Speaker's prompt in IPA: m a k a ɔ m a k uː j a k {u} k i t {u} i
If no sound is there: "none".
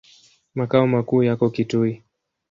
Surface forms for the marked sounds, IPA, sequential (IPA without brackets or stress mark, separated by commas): ɔ, u